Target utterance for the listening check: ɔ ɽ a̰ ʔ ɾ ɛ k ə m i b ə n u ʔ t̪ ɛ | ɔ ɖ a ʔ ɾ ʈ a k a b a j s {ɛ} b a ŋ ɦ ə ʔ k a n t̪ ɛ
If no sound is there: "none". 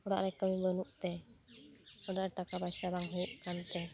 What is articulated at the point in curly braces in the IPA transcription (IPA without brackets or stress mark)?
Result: a